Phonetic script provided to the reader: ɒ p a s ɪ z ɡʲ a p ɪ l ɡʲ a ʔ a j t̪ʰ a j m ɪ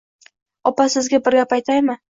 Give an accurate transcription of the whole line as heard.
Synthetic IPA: ɒ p a s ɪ z ɡʲ a b ɪ ɾ ɡʲ a p a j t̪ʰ a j m ɪ